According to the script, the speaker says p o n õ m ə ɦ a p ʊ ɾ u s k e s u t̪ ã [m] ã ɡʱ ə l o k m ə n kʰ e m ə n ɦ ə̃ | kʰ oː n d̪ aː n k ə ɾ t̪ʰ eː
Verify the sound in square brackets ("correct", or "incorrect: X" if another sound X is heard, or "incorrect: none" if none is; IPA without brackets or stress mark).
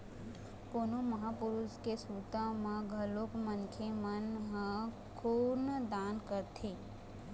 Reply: correct